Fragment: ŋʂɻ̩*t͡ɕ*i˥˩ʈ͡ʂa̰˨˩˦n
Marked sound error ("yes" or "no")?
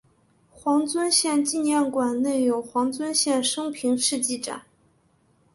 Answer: no